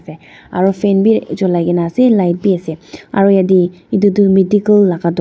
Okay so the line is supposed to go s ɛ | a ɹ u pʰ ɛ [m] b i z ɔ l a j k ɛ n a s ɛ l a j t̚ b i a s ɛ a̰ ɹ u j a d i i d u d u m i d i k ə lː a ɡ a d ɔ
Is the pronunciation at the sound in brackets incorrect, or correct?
incorrect: n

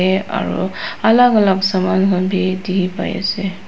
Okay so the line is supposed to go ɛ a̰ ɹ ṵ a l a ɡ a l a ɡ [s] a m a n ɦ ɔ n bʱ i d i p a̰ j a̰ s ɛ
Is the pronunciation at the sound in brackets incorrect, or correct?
correct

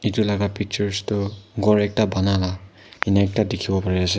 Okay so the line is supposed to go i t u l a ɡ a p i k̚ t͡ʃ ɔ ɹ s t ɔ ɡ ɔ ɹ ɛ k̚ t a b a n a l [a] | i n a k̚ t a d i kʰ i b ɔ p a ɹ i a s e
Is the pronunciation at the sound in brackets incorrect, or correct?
correct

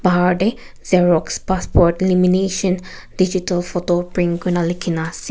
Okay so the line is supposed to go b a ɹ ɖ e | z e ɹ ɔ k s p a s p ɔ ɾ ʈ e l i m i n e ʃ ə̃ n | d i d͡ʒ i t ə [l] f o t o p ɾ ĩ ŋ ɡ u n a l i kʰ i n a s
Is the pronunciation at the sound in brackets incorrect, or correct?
correct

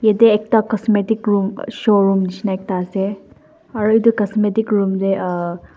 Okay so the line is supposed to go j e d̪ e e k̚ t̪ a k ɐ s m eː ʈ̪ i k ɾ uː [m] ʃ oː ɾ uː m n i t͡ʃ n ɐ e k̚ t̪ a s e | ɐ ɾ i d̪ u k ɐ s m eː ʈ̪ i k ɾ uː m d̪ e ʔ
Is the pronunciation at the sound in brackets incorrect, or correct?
correct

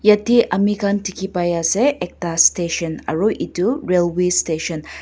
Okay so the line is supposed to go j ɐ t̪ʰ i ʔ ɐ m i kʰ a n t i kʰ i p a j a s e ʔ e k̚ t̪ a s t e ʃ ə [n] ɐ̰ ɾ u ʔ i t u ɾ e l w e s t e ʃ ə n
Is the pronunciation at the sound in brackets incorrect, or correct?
correct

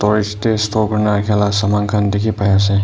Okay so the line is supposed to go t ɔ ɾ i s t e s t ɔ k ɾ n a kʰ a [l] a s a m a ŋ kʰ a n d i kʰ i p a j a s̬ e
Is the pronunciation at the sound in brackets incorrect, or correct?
correct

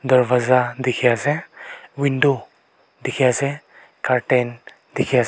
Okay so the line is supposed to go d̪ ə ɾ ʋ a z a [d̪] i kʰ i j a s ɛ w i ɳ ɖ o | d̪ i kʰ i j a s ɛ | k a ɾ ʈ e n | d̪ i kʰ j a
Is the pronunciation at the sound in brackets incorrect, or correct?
correct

